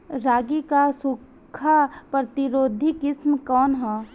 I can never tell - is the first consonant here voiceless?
no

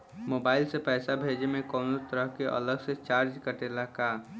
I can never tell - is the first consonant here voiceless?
no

